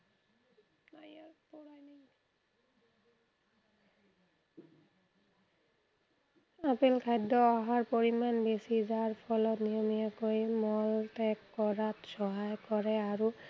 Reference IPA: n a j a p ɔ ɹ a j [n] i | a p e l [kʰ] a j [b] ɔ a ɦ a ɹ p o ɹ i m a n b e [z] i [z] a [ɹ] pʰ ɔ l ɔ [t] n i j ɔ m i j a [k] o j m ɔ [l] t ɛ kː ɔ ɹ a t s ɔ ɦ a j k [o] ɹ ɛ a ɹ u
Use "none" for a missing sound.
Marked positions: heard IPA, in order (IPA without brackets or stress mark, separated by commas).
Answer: n, kʰ, d, s, z, ɹ, t, k, l, ɔ